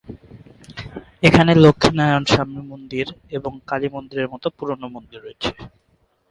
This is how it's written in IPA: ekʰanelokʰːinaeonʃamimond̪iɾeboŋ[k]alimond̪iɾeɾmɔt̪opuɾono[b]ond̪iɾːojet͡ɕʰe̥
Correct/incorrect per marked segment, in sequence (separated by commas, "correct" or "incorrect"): correct, incorrect